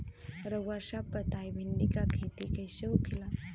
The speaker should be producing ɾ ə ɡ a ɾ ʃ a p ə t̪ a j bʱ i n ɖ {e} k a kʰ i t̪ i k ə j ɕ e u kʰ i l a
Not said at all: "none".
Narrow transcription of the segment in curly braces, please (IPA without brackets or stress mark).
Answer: i